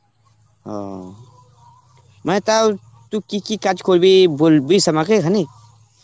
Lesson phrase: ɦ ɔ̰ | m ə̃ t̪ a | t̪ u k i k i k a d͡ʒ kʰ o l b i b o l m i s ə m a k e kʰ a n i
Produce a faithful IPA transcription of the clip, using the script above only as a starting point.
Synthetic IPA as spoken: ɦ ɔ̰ | m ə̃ t̪ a | t̪ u k i k i k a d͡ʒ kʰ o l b i b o l b i s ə m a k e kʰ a n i